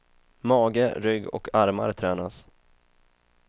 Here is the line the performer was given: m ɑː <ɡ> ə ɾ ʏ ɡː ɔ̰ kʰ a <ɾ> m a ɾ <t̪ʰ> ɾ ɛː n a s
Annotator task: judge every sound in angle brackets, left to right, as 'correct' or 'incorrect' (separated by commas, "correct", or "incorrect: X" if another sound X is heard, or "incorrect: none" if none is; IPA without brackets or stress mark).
correct, correct, correct